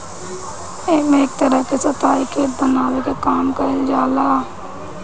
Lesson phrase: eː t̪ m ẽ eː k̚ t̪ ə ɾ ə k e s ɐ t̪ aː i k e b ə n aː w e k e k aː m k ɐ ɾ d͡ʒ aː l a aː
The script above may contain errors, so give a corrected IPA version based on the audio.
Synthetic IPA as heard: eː m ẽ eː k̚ t̪ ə ɾ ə k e s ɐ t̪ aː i k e b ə n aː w e k e k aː m k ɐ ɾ d͡ʒ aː l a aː